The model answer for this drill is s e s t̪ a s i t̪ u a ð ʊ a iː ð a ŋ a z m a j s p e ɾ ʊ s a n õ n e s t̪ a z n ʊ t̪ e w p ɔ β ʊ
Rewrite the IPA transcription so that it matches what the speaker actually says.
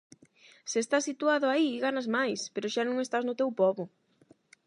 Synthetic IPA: s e s t̪ a s i t̪ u a ð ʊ a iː ɣ a n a z m a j s p e ɾ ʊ ʃ a n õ ŋ e s t̪ a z n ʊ t̪ e w p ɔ β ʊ